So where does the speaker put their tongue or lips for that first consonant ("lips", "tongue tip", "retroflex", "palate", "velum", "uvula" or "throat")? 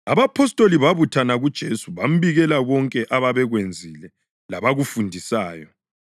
lips